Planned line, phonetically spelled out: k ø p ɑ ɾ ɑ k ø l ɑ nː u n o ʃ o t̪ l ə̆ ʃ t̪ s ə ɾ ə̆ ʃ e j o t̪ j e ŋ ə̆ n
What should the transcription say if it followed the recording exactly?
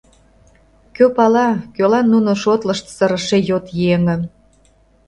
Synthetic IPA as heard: k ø p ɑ l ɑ k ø l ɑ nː u n o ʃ o t̪ l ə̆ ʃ t̪ s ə ɾ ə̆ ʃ e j o t̪ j e ŋ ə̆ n